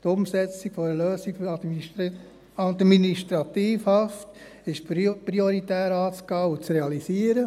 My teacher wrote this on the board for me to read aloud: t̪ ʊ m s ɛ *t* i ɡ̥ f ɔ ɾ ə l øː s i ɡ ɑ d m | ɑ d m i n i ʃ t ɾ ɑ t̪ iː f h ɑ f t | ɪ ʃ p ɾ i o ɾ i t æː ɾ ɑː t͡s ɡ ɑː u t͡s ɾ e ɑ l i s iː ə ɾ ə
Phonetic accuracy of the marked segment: incorrect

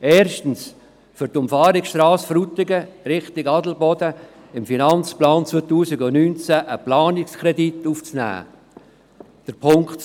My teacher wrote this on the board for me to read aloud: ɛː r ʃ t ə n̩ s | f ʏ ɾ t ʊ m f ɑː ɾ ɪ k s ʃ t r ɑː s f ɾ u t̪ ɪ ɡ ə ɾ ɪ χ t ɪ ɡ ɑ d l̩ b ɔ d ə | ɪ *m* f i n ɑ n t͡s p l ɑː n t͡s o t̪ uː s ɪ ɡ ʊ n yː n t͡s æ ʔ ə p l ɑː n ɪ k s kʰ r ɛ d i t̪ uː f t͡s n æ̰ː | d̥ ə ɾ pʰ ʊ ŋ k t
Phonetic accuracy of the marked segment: correct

